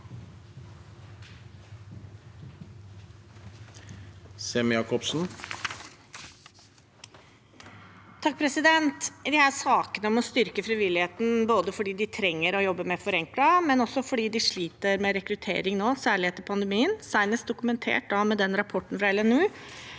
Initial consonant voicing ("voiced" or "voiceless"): voiceless